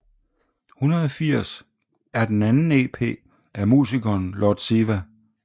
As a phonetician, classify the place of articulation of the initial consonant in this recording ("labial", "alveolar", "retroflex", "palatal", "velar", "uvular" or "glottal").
glottal